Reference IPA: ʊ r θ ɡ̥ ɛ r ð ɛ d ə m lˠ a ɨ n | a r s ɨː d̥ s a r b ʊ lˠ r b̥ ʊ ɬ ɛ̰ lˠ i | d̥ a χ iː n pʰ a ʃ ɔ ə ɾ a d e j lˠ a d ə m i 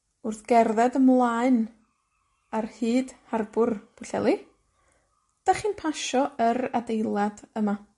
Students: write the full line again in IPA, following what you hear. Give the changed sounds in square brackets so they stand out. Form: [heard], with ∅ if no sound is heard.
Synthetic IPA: ʊ r θ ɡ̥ ɛ r ð ɛ d ə m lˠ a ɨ n | a r [h] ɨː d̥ [h] a r b ʊ [∅] r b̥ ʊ ɬ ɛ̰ lˠ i | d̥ a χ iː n pʰ a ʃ ɔ ə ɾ a d e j lˠ a d ə m [a]

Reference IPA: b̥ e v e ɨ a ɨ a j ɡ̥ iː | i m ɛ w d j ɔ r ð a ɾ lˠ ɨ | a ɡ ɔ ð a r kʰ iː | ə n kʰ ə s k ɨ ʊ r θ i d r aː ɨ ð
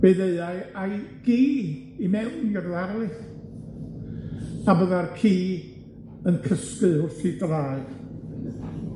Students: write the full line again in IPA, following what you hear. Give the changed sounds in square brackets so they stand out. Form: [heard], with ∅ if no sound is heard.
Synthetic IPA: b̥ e [ð] e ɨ a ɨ a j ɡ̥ iː | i m ɛ w [n] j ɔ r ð a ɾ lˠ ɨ | a [b] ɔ ð a r kʰ iː | ə n kʰ ə s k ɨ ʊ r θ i d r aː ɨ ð

